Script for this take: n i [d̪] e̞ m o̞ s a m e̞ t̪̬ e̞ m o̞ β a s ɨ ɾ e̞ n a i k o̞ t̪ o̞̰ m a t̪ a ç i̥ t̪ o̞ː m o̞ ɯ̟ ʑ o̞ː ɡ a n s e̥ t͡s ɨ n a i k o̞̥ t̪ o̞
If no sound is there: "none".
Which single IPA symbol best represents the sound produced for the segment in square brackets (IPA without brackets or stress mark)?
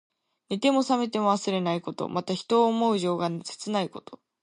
t̪